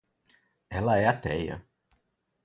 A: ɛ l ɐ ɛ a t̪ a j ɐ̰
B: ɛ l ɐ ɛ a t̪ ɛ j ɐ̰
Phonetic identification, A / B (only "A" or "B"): B